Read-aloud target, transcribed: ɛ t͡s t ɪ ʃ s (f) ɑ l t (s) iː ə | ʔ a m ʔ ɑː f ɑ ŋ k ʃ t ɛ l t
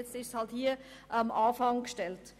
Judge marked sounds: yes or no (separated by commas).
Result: no, no